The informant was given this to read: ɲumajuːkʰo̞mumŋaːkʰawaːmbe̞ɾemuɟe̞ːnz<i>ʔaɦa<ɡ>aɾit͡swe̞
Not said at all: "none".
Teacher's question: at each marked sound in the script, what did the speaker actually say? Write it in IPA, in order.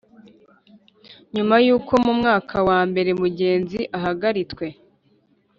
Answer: i, ɡ

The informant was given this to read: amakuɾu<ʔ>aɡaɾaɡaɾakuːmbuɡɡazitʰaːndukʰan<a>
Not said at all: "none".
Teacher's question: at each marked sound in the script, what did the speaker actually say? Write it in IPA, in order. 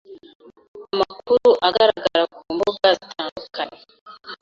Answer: ʔ, e

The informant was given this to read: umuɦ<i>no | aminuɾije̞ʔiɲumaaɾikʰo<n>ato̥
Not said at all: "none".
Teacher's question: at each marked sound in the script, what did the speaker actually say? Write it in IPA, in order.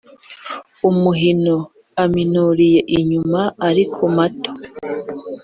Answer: i, m

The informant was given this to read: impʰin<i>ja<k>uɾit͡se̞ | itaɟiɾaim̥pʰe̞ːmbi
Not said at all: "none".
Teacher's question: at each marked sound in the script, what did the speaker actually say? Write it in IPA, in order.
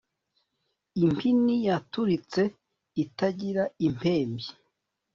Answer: i, t

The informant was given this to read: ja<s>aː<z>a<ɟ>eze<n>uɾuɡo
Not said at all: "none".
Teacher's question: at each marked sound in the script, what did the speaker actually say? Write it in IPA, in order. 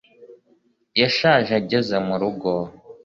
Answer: ʃ, ʒ, ɟ, m

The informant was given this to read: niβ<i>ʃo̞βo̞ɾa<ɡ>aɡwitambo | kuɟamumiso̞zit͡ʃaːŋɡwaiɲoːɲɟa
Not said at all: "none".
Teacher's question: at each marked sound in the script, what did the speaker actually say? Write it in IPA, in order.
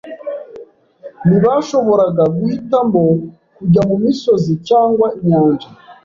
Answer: a, ɡ

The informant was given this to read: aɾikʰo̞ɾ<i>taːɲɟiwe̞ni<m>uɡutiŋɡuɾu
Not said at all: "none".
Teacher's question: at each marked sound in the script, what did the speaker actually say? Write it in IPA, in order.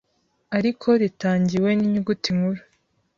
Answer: i, ɲ

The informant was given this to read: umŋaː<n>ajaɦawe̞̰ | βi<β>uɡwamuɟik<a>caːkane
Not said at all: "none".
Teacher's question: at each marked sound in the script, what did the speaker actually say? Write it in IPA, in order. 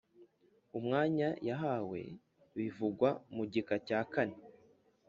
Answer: ɲ, v, a

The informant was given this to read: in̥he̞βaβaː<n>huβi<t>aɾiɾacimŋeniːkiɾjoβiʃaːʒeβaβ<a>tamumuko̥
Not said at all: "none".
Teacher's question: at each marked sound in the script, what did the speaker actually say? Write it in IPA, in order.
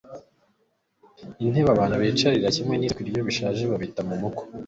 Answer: n, t͡ʃ, i

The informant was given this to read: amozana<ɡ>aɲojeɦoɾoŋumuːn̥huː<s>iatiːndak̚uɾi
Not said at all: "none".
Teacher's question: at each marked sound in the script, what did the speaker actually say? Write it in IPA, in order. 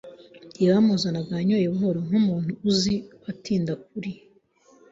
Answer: ɡ, z

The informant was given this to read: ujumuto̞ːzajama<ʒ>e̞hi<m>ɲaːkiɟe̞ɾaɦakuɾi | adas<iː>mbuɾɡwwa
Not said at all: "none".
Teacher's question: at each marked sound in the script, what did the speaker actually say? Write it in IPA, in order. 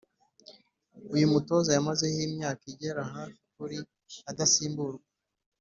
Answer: z, m, iː

